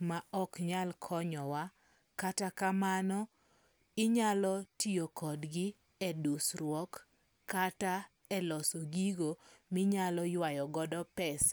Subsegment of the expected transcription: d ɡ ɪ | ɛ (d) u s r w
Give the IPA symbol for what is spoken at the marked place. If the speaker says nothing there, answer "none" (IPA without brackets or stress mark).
d